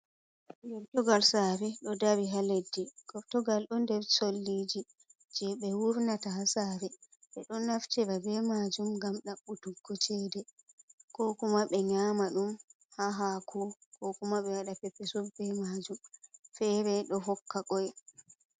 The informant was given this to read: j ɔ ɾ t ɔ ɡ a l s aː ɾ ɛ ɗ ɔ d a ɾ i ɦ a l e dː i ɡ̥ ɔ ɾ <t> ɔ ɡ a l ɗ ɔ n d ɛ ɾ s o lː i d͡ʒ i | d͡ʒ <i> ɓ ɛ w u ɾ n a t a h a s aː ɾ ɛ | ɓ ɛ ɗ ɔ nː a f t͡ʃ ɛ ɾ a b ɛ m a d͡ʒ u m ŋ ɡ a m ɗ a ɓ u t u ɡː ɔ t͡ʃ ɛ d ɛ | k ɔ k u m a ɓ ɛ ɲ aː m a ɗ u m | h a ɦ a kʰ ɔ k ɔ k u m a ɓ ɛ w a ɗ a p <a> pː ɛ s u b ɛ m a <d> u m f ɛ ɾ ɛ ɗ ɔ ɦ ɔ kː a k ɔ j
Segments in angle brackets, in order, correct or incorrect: correct, incorrect: ɛ, incorrect: ɛ, incorrect: d͡ʒ

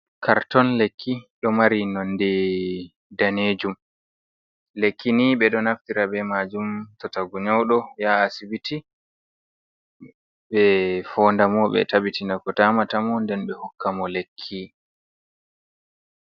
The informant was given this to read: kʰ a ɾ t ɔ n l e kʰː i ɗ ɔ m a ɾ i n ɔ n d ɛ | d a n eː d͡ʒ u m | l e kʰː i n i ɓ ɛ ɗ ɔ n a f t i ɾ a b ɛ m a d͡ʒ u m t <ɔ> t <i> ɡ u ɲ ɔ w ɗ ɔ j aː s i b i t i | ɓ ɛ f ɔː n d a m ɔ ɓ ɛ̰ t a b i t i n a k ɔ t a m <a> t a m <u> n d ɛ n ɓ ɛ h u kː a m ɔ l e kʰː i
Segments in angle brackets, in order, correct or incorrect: correct, incorrect: a, correct, incorrect: ɔ

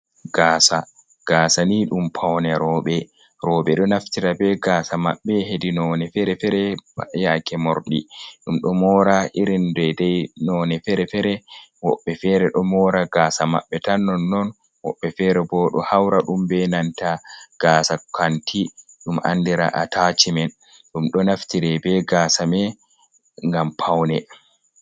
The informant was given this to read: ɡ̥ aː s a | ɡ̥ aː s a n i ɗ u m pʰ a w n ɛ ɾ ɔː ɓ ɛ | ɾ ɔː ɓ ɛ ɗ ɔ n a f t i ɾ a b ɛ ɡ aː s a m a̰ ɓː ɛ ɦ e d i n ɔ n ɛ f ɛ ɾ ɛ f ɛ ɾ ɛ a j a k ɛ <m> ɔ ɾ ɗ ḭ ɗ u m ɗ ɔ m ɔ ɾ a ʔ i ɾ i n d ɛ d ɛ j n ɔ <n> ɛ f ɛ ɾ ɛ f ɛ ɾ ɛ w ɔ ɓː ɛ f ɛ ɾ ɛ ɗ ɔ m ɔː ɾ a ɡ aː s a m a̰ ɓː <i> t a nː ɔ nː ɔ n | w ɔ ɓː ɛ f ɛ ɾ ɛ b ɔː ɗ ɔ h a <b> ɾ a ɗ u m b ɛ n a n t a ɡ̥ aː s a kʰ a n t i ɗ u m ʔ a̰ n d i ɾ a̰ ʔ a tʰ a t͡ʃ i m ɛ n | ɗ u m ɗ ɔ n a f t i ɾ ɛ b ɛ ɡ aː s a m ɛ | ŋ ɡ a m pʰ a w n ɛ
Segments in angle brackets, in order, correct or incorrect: correct, correct, incorrect: ɛ, incorrect: w

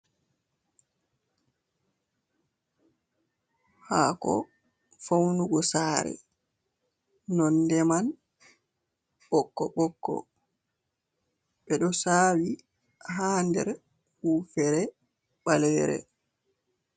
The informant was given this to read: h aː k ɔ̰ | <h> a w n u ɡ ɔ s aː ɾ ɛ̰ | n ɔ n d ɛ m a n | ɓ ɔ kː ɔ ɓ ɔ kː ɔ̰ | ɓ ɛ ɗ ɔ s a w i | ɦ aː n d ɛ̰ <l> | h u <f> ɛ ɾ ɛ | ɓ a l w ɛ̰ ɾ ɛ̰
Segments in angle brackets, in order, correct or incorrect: incorrect: f, incorrect: ɾ, correct

